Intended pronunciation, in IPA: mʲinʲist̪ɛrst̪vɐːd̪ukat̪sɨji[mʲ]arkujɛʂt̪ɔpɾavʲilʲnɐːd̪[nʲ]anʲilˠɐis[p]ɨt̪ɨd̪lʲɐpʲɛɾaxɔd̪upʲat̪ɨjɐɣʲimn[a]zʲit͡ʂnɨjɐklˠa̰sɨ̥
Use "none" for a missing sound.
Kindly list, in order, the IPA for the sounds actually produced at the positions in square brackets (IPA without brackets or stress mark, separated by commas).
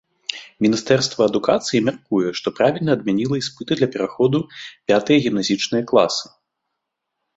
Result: mʲ, mʲ, p, a